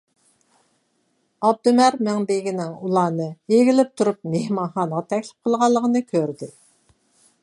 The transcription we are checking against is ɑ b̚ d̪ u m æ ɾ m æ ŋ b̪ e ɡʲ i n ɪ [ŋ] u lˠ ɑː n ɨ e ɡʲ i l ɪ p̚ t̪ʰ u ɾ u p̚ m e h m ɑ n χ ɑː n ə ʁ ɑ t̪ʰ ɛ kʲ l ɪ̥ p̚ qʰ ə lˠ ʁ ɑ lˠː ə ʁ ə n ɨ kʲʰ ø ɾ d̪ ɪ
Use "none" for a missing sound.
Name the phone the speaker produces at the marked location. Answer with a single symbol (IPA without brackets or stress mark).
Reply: ŋ